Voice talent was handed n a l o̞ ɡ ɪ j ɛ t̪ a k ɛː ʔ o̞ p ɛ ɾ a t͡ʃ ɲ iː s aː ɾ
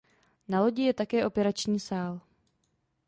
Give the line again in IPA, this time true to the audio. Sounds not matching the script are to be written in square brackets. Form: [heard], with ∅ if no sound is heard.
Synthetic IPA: n a l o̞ [ɟ] ɪ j ɛ t̪ a k ɛː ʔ o̞ p ɛ ɾ a t͡ʃ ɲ iː s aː [l]